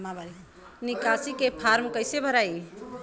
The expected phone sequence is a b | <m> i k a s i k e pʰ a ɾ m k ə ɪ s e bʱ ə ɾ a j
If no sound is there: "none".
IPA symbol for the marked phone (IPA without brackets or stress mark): n